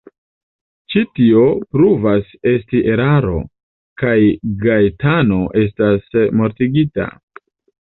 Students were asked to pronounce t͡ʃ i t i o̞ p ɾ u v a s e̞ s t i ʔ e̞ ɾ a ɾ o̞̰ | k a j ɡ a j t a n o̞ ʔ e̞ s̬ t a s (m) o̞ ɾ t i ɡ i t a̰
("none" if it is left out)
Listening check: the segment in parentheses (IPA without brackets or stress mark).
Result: m